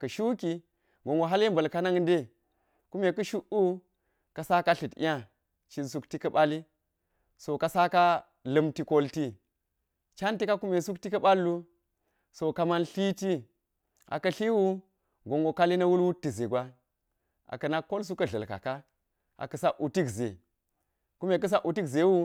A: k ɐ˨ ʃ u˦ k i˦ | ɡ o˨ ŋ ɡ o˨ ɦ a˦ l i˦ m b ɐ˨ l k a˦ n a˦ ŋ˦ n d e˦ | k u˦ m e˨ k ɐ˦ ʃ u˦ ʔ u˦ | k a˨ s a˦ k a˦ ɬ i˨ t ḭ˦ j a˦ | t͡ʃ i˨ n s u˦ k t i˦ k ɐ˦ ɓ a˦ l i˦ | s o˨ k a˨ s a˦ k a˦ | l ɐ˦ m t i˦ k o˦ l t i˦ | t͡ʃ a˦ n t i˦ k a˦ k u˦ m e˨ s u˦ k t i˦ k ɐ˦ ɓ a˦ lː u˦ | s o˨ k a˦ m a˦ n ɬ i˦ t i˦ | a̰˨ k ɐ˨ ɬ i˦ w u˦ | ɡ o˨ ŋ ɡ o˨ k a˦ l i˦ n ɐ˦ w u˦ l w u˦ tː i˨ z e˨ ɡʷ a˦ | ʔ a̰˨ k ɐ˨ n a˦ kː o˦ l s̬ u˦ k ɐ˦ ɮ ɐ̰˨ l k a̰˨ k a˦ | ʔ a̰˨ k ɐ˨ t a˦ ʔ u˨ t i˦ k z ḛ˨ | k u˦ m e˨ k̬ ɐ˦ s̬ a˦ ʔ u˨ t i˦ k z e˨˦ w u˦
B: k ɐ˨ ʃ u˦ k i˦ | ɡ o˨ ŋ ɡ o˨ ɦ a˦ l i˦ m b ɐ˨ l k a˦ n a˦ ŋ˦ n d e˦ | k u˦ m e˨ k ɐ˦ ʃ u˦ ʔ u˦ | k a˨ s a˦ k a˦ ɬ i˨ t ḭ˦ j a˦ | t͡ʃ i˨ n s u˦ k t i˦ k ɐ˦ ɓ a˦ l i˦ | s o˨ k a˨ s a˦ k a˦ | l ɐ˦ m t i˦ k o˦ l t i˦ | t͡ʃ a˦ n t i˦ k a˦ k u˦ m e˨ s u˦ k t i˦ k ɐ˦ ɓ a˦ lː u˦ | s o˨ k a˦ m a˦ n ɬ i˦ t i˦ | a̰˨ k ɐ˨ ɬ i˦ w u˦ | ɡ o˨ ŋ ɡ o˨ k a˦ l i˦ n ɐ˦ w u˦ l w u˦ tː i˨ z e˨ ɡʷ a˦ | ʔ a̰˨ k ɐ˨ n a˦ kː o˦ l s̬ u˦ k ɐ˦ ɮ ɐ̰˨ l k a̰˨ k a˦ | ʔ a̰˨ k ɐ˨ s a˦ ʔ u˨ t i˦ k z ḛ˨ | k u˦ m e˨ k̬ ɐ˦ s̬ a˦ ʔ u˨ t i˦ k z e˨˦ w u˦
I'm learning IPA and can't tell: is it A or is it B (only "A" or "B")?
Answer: B